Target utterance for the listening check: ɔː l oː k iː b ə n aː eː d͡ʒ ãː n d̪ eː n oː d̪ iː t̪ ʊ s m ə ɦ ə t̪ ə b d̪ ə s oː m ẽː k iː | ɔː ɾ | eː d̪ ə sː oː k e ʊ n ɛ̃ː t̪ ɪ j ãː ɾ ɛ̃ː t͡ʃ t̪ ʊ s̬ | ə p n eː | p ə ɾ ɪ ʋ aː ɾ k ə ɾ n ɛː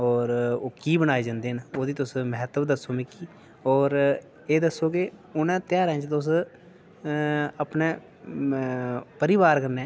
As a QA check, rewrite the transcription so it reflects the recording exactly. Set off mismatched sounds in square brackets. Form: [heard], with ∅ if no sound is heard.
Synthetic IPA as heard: ɔː [ɾ] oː k iː b ə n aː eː d͡ʒ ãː n d̪ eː n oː d̪ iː t̪ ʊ s m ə ɦ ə t̪ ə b d̪ ə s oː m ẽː k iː | ɔː ɾ | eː d̪ ə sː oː k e ʊ n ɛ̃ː t̪ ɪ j [aː] ɾ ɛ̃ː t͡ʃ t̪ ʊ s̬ | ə p n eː | p ə ɾ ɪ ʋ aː ɾ k ə ɾ n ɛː